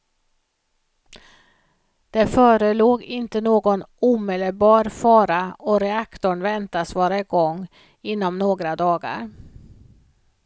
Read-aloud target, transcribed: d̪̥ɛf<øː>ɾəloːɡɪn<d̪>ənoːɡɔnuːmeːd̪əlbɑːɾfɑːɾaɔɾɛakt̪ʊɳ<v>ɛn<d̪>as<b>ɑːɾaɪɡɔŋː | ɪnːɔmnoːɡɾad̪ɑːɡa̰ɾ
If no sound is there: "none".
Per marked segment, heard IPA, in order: œː, t̪, v, t̪, v

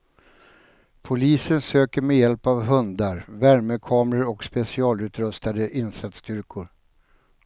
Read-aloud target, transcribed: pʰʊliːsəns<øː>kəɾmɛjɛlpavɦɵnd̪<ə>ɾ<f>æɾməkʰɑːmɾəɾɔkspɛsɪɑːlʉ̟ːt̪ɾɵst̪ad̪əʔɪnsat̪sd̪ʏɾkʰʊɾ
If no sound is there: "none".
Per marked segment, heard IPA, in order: øː, a, v

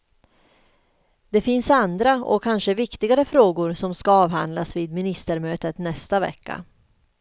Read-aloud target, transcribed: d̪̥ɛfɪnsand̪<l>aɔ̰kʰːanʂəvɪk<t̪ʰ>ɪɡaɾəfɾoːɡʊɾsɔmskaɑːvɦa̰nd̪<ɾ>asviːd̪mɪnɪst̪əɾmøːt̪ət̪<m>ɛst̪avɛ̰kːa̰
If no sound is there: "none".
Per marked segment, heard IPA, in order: ɾ, t̪, l, n

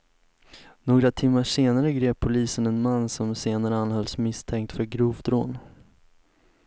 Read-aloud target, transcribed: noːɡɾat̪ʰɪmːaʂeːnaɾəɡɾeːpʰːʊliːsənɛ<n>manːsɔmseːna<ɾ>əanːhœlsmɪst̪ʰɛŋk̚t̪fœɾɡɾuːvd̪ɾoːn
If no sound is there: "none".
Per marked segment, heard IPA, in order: n, ɾ

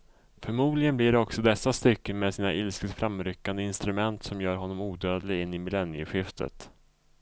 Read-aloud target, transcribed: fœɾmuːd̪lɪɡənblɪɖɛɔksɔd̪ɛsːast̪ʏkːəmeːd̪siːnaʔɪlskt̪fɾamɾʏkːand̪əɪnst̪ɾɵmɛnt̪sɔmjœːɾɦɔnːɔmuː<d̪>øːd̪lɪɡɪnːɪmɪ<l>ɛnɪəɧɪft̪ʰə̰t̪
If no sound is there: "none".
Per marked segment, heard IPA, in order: d̪, l

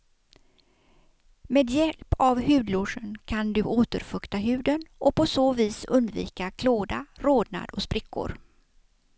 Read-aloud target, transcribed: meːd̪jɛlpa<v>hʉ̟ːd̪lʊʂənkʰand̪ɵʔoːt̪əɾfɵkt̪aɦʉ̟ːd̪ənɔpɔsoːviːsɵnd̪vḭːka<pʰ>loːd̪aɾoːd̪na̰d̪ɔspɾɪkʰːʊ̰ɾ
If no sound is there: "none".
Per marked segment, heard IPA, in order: v, kʰ

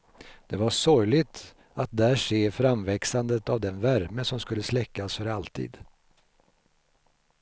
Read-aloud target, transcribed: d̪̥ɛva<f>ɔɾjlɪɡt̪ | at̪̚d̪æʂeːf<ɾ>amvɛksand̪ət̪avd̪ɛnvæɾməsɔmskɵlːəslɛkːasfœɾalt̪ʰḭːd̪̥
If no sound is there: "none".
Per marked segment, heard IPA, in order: ʂ, ɾ

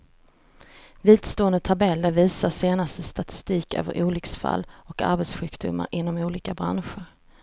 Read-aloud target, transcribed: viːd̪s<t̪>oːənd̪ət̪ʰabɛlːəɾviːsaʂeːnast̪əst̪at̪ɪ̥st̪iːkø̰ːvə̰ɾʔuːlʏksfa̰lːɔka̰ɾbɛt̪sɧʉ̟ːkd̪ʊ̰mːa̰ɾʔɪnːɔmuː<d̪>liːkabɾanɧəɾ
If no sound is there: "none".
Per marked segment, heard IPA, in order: t̪, none

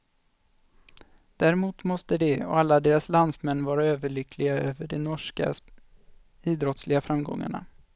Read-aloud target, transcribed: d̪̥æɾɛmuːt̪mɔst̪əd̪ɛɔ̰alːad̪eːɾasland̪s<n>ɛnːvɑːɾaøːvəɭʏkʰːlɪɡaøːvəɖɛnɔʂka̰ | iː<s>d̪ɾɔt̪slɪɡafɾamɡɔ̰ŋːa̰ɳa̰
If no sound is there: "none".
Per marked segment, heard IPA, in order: m, none

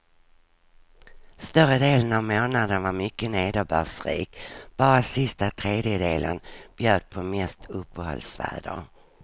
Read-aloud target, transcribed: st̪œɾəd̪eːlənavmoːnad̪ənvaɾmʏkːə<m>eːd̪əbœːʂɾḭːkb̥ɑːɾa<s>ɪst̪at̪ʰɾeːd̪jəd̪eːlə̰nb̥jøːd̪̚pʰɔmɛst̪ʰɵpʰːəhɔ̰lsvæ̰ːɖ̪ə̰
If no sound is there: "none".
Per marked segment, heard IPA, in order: n, s

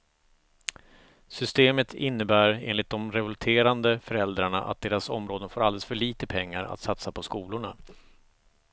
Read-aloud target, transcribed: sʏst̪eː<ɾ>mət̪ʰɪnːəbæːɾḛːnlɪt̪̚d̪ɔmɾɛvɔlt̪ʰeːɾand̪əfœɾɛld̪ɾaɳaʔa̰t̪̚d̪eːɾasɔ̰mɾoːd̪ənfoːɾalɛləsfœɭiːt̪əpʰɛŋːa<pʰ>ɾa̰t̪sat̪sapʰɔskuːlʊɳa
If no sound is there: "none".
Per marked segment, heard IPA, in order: none, none

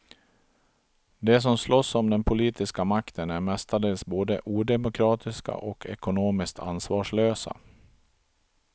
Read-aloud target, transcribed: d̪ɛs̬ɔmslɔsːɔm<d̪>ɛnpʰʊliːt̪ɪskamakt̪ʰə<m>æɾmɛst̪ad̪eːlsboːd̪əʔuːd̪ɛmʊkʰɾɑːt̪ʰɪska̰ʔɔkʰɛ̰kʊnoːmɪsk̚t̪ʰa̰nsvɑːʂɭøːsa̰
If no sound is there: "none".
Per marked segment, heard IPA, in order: d̪, n

